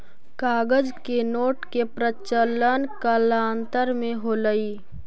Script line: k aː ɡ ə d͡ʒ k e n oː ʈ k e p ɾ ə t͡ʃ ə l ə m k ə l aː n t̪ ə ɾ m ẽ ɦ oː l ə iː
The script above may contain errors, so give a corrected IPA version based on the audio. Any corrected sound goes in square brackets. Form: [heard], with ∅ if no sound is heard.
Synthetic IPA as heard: k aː ɡ ə d͡ʒ k e n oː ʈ k e p ɾ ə t͡ʃ ə l ə [n] k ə l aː n t̪ ə ɾ m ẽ ɦ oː l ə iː